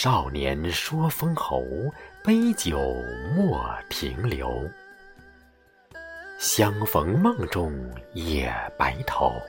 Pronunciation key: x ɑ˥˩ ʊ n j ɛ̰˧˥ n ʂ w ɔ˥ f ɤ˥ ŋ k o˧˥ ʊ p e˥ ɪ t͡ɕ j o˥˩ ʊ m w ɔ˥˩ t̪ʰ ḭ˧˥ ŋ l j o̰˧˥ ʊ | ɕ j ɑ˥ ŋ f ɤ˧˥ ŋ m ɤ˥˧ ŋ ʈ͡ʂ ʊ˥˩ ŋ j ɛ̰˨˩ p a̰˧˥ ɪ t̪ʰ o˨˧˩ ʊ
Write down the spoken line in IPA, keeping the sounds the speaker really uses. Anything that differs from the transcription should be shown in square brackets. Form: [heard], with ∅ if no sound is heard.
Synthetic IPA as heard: [ʂ] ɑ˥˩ ʊ n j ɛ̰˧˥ n ʂ w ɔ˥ f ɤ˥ ŋ [x] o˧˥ ʊ p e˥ ɪ t͡ɕ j [o˨˩] ʊ m w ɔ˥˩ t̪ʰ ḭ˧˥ ŋ l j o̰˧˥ ʊ | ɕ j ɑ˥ ŋ f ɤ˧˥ ŋ m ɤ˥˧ ŋ ʈ͡ʂ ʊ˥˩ ŋ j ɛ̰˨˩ p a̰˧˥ ɪ t̪ʰ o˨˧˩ ʊ